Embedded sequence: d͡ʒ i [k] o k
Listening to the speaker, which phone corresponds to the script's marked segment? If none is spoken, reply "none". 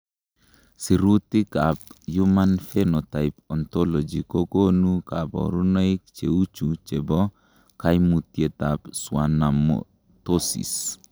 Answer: k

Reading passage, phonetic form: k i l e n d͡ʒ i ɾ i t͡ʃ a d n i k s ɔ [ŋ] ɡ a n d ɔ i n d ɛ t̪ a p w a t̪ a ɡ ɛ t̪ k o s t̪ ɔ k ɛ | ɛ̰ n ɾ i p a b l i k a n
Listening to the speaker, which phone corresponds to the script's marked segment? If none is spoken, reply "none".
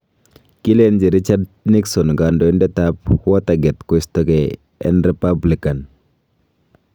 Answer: n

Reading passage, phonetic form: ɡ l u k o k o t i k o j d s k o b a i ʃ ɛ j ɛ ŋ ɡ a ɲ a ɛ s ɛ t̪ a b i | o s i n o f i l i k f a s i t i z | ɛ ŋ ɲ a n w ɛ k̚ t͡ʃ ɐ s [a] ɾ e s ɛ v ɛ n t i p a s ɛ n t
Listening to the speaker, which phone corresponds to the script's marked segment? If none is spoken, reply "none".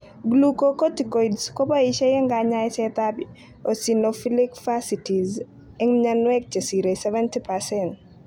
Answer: i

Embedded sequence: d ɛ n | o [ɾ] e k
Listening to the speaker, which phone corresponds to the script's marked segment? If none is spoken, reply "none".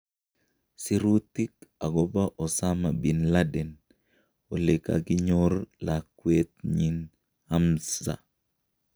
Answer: l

